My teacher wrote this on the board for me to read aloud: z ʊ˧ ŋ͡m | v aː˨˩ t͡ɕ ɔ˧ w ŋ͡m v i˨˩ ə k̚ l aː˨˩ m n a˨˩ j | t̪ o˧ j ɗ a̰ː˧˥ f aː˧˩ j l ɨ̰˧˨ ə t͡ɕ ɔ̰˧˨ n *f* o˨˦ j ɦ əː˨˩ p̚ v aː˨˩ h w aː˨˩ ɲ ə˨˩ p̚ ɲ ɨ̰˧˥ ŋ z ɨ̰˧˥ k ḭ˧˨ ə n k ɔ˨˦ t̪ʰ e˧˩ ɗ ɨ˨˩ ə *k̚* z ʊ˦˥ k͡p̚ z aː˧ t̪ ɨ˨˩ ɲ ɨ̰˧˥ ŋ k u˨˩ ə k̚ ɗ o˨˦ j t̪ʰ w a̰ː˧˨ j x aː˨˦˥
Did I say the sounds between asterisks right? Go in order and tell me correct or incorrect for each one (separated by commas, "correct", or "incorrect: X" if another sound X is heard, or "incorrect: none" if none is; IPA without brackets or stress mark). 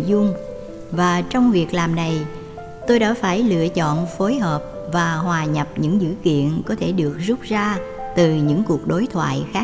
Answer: correct, correct